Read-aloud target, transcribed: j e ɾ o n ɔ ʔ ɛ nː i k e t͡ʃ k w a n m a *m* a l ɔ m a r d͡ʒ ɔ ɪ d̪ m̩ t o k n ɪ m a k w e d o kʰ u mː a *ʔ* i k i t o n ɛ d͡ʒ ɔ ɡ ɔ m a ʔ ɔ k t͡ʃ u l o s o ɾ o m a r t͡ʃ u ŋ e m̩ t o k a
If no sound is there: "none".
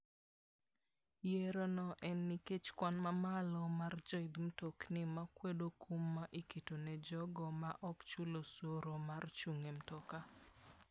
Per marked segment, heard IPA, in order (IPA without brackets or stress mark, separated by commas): m, ʔ